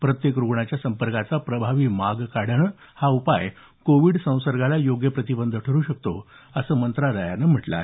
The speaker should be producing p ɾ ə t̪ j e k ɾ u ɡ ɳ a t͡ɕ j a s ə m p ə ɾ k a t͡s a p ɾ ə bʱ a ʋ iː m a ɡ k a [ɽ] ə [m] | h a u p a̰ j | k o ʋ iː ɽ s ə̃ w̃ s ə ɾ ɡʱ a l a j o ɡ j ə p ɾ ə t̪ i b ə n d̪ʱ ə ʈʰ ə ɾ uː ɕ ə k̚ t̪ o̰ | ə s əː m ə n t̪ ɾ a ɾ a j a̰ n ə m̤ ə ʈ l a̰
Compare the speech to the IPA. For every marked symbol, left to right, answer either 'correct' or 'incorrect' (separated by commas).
correct, incorrect